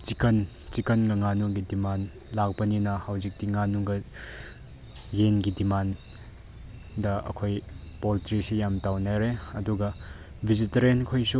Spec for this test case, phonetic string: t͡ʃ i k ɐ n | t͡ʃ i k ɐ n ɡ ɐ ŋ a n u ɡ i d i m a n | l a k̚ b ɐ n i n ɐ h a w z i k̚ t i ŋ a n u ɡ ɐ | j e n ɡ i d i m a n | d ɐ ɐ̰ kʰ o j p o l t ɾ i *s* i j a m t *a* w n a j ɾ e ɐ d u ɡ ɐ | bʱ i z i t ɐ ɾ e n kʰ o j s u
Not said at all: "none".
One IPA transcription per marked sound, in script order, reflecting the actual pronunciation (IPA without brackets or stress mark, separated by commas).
s, a